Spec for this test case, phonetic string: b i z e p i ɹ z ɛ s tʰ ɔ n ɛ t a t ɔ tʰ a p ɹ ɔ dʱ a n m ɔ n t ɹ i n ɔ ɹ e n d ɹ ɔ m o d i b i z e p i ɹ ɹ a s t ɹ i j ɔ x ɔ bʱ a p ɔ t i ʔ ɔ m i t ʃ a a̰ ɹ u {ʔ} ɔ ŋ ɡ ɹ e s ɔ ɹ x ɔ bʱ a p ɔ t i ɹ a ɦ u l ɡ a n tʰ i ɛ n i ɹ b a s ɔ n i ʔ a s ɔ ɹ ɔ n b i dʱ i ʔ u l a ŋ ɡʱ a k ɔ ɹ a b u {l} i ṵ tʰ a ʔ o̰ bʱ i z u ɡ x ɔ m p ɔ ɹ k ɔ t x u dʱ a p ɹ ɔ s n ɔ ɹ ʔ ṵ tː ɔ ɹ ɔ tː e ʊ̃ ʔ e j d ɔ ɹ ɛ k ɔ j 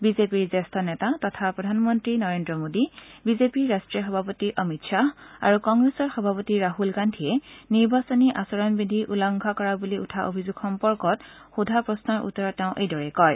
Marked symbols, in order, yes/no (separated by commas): no, yes